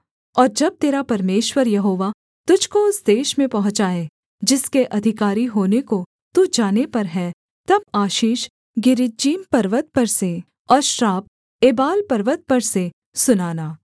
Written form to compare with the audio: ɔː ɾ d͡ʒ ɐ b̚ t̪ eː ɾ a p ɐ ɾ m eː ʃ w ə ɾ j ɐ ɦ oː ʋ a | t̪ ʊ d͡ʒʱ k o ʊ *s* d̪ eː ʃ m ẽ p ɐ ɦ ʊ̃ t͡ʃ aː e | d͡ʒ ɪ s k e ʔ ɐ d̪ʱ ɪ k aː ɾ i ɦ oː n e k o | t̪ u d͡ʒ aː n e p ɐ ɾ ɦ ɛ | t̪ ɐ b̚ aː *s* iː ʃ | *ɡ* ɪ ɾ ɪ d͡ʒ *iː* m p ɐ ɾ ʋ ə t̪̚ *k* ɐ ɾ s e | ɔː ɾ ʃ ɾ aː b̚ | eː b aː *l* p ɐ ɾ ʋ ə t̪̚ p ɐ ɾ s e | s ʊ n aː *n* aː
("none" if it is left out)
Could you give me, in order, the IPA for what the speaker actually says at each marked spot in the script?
s, ʃ, ɡ, iː, p, l, n

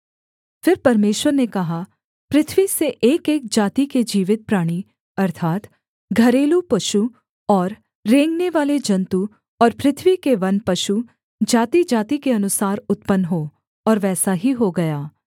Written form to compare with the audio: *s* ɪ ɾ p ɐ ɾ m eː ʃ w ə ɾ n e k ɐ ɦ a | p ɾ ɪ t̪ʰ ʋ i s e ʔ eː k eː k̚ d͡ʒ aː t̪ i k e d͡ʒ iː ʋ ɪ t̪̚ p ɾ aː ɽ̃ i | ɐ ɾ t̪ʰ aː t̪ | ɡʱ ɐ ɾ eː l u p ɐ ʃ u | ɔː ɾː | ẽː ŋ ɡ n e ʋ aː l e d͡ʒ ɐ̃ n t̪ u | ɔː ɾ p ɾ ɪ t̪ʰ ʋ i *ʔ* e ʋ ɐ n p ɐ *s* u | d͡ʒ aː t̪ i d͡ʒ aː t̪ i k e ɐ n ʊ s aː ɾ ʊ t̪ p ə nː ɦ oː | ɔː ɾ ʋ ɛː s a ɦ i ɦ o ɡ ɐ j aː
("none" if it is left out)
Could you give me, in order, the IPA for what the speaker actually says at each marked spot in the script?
f, k, ʃ

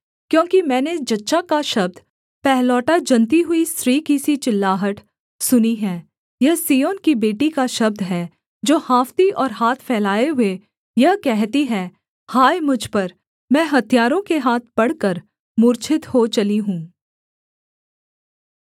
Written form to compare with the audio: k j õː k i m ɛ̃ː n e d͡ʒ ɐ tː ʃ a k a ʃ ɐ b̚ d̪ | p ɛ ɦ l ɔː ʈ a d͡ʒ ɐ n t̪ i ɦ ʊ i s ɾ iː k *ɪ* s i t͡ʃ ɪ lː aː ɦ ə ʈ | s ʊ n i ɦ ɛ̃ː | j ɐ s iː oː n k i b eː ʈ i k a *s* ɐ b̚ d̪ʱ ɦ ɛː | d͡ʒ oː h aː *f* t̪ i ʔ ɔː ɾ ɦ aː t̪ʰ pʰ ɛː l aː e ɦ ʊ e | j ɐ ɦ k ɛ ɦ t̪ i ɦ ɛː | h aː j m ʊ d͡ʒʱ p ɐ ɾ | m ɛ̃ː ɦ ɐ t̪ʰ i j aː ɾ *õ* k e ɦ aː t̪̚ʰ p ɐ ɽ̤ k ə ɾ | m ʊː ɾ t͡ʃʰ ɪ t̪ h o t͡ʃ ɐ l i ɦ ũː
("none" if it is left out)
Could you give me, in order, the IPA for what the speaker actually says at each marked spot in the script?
i, ʃ, f, õ

